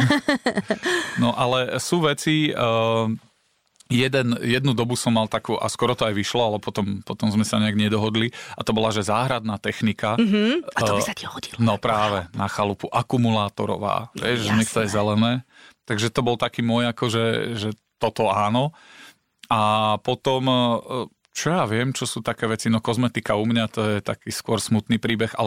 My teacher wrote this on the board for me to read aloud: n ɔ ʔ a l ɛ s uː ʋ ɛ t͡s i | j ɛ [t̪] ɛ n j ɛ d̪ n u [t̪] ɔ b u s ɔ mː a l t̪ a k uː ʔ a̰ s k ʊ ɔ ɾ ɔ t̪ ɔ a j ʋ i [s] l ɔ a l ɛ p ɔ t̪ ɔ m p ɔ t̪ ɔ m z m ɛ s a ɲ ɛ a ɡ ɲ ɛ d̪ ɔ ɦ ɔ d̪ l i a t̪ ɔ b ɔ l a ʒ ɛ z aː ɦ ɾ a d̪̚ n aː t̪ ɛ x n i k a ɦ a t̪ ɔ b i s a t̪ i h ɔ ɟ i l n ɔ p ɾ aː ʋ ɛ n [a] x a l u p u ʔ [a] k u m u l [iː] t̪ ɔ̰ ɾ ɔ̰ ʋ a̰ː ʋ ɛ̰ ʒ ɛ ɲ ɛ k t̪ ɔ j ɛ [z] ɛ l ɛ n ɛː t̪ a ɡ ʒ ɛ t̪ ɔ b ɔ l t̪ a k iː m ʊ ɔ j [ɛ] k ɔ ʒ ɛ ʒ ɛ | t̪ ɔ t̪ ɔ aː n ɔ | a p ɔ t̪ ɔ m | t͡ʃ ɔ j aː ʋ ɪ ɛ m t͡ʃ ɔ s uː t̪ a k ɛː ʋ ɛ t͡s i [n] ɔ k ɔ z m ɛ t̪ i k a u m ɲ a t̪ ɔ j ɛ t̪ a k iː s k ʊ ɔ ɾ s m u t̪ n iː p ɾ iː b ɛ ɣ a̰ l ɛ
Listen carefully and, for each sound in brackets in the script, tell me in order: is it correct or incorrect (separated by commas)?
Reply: incorrect, incorrect, incorrect, correct, correct, incorrect, correct, incorrect, correct